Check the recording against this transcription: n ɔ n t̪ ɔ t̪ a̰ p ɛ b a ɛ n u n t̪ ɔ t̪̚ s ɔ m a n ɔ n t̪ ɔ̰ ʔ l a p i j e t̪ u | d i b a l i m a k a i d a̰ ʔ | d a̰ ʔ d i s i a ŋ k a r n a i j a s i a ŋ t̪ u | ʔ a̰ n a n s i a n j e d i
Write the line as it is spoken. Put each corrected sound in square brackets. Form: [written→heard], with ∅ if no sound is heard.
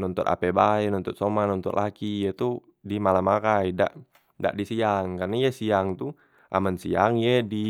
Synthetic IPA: n ɔ n t̪ ɔ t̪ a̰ p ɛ b a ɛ n [u→ɔ] n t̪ ɔ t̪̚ s ɔ m a n ɔ n t̪ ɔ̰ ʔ l a [p→k] i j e t̪ u | d i [b→m] a l [i→a] m a k a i d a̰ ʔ | d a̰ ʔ d i s i a ŋ k a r n a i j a s i a ŋ t̪ u | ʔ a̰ [n→m] a n s i a [n→ŋ] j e d i